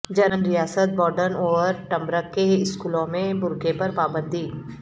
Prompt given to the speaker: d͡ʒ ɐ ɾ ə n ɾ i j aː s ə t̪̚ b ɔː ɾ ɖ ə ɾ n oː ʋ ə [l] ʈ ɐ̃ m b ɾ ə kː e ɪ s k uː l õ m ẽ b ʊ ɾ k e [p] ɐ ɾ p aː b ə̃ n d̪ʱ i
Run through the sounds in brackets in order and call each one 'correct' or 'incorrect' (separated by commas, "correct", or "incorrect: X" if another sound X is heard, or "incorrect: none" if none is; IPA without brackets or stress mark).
incorrect: ɾ, correct